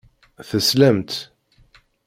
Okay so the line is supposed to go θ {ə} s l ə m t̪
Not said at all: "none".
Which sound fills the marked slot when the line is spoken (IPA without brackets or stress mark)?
ə